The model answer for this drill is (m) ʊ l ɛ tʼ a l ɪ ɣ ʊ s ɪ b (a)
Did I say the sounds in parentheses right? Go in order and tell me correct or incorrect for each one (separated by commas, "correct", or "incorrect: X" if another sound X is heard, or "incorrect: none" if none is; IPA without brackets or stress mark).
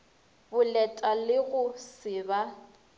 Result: incorrect: b, correct